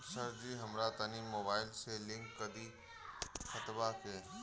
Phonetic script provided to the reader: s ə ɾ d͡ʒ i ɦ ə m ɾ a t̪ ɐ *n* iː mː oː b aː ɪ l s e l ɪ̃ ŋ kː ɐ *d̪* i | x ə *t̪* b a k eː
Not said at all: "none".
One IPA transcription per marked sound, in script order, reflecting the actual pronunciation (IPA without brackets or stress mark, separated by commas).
n, d̪, t̪